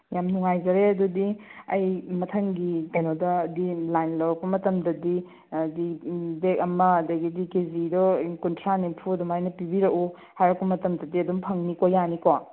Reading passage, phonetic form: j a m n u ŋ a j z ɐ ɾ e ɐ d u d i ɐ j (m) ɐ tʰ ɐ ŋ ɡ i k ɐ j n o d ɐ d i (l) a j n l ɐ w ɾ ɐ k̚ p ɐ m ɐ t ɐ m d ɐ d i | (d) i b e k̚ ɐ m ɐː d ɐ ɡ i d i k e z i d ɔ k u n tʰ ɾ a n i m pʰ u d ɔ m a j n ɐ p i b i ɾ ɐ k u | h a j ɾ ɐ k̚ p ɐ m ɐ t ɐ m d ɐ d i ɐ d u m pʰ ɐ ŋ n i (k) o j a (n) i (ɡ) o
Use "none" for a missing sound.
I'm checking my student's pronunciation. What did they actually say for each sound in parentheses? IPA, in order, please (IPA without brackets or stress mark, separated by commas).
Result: m, l, d, k, n, k